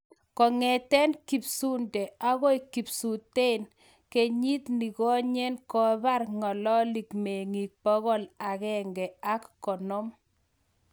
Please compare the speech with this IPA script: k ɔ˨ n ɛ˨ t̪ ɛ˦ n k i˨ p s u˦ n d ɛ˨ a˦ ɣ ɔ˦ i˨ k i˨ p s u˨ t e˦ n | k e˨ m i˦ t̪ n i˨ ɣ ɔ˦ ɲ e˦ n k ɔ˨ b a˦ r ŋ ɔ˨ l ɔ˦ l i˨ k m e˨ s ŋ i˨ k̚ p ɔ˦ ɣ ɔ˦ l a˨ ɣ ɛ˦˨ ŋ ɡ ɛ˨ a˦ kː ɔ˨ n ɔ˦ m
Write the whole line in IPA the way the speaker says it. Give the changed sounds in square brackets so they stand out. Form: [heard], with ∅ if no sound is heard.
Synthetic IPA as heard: k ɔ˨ [ŋ] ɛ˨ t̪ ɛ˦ n k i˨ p s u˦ n d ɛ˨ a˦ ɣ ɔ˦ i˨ k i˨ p s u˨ t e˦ n | k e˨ [ɲ] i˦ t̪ n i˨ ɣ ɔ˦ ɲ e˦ n k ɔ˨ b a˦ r ŋ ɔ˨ l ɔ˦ l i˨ k m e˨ [∅] ŋ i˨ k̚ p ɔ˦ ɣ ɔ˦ l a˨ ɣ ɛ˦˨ ŋ ɡ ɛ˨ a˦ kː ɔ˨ n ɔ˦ m

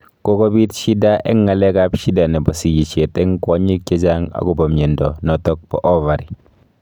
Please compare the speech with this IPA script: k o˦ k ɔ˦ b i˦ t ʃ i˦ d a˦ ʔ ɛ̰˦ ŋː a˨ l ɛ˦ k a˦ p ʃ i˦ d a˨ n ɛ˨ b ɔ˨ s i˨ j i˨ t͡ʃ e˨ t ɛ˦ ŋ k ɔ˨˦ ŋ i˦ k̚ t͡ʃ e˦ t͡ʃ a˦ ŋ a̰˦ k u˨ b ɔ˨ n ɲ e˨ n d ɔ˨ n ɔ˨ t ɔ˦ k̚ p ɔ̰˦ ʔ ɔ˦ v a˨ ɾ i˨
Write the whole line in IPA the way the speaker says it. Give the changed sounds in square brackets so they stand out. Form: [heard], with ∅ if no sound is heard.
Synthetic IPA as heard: k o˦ k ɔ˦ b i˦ t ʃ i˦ d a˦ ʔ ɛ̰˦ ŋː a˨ l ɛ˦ k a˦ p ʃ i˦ d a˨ n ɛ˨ b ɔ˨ s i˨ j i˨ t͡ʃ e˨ t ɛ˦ ŋ k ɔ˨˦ [ɲ] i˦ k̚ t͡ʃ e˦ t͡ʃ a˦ ŋ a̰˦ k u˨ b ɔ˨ [m] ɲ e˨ n d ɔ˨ n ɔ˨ t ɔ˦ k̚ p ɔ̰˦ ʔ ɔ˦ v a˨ ɾ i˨

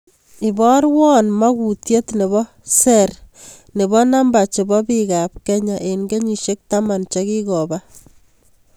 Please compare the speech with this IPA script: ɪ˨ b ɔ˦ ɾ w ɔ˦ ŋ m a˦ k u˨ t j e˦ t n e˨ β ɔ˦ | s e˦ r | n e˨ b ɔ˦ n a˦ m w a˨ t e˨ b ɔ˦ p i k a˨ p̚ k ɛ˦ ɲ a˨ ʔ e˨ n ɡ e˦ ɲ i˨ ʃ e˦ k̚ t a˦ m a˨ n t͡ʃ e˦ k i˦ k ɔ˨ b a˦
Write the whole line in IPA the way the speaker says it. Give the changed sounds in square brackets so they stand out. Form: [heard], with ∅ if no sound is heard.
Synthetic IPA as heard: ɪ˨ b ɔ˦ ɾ w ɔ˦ [n] m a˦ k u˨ t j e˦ t n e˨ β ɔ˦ | s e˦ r | n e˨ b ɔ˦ n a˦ m [b] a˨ [t͡ʃ] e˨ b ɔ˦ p i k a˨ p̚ k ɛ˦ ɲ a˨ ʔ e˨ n ɡ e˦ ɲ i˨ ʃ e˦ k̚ t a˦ m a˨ n t͡ʃ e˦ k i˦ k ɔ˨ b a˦

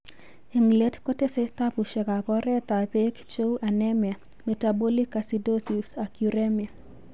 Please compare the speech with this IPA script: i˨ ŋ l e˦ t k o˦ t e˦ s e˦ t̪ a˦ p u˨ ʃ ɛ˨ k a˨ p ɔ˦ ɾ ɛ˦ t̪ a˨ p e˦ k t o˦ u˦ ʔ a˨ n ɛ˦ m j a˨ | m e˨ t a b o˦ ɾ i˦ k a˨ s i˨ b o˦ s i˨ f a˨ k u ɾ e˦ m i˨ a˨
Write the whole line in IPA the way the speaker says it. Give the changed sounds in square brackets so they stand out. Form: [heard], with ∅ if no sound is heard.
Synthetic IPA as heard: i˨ ŋ l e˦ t k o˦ t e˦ s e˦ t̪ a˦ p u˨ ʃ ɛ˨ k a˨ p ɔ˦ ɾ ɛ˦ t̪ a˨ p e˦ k [t͡ʃ] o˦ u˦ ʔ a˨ n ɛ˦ m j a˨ | m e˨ t a b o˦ [l] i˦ k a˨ s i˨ [d] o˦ s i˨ [s] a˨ k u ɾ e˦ m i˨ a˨

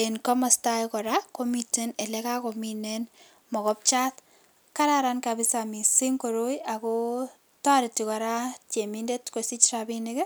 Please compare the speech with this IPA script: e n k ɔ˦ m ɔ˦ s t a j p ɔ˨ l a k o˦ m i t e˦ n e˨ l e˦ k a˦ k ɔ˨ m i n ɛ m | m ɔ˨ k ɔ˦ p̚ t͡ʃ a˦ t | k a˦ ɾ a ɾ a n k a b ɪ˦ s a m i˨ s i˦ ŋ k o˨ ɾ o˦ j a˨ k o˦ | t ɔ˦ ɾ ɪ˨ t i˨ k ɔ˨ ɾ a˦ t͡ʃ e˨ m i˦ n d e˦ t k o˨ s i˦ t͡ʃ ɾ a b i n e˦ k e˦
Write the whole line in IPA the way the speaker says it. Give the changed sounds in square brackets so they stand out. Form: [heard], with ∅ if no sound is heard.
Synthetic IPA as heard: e n k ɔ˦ m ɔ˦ s t a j [k] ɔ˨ [ɾ] a k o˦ m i t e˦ n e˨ l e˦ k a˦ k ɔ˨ m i n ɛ [n] | m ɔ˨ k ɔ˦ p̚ t͡ʃ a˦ t | k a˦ ɾ a ɾ a n k a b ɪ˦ s a m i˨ s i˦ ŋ k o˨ ɾ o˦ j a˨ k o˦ | t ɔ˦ ɾ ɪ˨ t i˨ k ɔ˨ ɾ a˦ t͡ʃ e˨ m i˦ n d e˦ t k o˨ s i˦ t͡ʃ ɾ a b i n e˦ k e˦

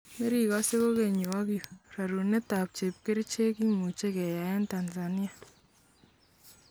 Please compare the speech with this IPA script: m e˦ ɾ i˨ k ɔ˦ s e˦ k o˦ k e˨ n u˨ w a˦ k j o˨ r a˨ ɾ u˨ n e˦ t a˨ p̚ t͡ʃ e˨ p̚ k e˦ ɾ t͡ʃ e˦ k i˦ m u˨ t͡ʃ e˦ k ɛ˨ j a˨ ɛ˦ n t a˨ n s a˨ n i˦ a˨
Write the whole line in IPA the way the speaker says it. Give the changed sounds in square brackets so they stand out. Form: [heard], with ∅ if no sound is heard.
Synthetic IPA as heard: m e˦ ɾ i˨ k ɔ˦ s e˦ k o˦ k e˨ [ɲ] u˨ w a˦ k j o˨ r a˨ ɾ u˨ n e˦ t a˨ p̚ t͡ʃ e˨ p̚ k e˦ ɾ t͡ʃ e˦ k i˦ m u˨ t͡ʃ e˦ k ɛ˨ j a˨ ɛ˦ n t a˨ n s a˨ n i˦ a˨

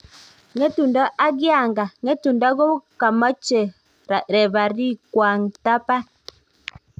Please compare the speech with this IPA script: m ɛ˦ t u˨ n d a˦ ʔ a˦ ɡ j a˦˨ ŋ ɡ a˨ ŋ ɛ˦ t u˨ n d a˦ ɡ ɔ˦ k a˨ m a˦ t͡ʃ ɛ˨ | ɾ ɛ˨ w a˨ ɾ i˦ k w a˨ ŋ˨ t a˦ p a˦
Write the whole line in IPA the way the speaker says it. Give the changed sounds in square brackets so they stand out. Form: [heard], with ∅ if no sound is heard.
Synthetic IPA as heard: [ŋ] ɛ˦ t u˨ n d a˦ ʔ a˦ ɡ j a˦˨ ŋ ɡ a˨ ŋ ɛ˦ t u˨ n d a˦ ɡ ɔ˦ k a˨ m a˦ t͡ʃ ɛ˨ | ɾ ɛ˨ [β] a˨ ɾ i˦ k w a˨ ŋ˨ t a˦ p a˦

